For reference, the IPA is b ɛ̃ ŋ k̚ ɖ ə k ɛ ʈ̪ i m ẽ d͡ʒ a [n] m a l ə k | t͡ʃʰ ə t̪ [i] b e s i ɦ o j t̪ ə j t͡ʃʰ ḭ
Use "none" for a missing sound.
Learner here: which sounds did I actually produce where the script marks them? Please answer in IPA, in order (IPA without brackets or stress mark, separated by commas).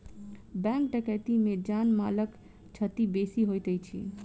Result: n, i